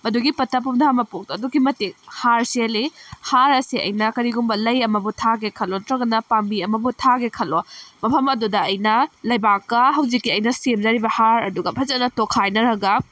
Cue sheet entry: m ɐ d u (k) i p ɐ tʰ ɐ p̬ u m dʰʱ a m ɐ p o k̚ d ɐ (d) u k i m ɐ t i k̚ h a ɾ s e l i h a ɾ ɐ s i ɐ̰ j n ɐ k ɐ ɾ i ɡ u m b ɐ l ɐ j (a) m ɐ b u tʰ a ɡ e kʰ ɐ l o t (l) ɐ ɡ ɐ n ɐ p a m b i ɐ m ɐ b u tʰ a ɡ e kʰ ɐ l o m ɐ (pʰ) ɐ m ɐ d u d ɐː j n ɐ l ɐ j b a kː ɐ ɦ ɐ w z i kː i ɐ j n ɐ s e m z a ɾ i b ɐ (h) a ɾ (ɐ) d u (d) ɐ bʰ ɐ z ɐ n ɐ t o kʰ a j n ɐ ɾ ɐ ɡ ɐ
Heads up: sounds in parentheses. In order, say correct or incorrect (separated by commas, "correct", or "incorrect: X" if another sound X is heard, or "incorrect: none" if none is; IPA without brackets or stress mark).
incorrect: ɡ, correct, incorrect: ɐ, incorrect: ɾ, correct, correct, correct, incorrect: ɡ